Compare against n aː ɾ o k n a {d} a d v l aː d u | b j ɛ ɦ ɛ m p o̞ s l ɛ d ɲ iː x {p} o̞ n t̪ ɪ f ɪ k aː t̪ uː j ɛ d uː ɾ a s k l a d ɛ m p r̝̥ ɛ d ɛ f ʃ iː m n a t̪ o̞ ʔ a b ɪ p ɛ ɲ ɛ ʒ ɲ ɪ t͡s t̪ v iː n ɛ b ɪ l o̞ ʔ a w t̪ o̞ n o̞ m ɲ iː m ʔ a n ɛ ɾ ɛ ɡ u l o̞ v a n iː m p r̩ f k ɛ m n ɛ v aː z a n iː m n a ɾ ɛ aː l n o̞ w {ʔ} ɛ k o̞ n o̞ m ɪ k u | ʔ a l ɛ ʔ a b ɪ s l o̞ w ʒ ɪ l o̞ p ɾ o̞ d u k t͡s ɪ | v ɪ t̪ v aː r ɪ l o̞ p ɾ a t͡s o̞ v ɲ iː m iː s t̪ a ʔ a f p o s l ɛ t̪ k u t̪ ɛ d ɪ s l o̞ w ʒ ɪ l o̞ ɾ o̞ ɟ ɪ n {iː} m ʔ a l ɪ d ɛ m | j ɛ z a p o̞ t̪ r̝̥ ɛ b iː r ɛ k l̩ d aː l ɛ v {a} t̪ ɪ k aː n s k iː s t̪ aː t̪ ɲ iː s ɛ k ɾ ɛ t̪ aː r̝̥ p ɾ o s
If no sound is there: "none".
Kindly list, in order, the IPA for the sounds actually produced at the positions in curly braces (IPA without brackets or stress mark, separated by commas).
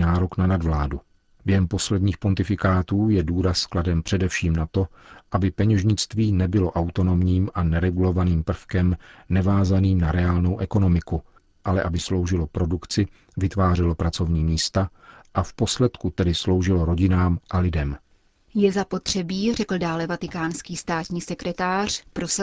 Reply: n, p, ʔ, aː, a